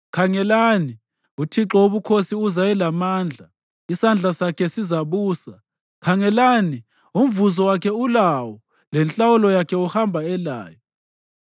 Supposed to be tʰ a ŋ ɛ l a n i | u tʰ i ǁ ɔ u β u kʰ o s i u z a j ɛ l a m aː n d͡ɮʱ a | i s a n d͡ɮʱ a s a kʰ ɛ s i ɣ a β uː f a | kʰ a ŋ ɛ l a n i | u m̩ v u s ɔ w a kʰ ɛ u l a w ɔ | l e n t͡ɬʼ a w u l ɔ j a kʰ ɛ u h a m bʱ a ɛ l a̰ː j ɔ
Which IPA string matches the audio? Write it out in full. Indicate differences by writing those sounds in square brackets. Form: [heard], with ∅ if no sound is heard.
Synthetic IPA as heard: [kʰ] a ŋ ɛ l a n i | u tʰ i ǁ ɔ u β u kʰ o s i u z a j ɛ l a m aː n d͡ɮʱ a | i s a n d͡ɮʱ a s a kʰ ɛ s i [z] a β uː [s] a | kʰ a ŋ ɛ l a n i | u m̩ v u [z] ɔ w a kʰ ɛ u l a w ɔ | l [ɛ] n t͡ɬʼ a w u l ɔ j a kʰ ɛ u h a m bʱ a ɛ l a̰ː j ɔ